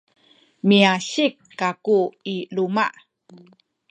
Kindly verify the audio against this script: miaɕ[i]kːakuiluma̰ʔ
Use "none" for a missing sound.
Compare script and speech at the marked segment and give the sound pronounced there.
i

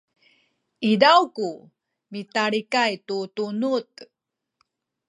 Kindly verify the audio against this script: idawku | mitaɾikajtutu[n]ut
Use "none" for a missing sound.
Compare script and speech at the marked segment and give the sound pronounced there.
n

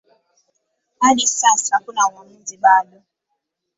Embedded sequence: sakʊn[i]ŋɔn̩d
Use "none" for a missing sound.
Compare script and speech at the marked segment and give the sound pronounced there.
a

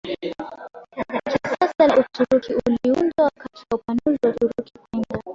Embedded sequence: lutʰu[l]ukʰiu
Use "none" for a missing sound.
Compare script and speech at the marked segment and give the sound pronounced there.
ɾ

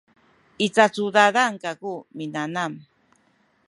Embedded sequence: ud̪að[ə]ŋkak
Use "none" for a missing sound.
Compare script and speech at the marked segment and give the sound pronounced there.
a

